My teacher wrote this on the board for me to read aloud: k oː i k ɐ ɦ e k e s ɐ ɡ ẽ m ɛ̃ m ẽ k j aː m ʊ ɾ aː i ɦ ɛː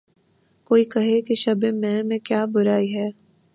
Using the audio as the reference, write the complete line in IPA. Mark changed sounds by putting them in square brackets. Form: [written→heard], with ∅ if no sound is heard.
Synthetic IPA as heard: k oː i k ɐ ɦ e k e [s→ʃ] ɐ [ɡ→b] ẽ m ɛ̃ m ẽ k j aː [m→b] ʊ ɾ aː i ɦ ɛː